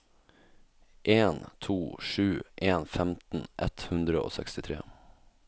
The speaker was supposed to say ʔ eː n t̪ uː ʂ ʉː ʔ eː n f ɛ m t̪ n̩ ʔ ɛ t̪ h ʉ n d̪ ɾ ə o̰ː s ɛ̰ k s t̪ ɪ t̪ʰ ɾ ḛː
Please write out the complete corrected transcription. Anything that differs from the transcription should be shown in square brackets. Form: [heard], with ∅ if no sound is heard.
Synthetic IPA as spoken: ʔ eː n [t̪ʰ] uː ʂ ʉː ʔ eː n f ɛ m t̪ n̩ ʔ ɛ t̪ h ʉ n d̪ ɾ ə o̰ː s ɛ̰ k s t̪ ɪ t̪ʰ ɾ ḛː